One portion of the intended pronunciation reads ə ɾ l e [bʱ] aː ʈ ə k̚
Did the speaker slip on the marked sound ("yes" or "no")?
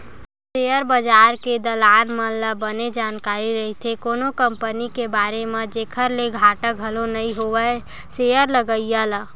yes